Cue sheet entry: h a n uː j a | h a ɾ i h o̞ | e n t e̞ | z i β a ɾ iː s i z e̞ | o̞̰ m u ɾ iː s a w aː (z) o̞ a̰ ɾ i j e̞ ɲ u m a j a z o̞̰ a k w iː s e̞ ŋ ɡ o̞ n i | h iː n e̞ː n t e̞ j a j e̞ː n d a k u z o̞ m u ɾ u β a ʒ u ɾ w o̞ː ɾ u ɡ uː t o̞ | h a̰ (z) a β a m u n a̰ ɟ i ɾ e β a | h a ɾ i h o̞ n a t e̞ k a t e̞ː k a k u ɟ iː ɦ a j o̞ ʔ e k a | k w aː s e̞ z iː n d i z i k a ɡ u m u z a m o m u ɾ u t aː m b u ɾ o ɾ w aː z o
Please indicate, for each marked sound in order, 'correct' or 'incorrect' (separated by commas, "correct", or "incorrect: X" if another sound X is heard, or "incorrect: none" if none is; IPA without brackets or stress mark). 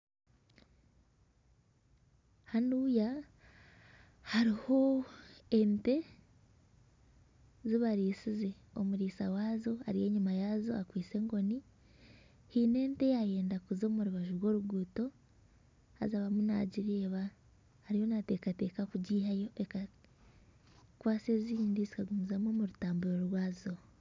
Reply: correct, correct